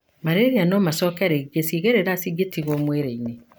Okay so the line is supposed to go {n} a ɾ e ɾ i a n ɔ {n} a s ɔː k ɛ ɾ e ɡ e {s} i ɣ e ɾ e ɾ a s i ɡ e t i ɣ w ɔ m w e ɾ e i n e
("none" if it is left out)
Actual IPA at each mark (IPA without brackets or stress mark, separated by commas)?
m, m, s